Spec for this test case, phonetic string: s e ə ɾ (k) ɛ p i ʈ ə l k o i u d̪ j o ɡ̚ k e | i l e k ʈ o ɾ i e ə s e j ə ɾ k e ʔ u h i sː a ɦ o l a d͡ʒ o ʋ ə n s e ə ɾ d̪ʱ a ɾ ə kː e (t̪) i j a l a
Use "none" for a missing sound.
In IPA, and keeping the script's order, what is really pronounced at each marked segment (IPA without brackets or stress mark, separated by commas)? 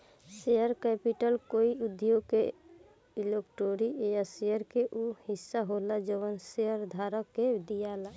k, d̪